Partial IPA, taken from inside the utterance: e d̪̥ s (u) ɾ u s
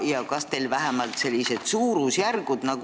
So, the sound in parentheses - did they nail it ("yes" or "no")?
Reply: no